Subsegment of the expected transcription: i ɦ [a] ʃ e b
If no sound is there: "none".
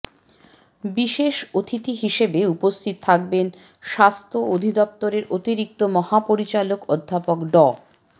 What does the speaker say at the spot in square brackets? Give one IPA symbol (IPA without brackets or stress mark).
i